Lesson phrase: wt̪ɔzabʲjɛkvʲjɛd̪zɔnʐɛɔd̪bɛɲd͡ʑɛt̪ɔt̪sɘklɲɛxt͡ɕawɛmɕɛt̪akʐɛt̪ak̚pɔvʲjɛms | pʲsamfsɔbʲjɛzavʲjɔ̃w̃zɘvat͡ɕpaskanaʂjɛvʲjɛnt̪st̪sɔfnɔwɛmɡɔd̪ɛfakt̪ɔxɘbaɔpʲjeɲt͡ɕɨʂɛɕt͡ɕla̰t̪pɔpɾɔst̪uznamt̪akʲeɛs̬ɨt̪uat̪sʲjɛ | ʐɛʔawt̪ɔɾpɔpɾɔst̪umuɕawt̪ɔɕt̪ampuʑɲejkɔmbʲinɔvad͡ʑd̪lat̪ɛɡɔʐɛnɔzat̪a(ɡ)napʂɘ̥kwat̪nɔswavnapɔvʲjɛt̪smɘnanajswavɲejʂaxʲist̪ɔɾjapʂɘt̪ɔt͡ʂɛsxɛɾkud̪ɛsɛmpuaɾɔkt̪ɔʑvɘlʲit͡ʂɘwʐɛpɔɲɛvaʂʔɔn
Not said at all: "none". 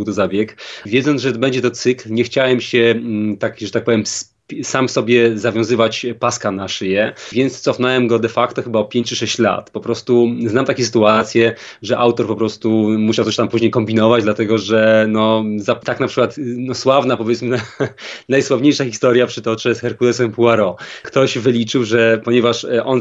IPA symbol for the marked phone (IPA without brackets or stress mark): k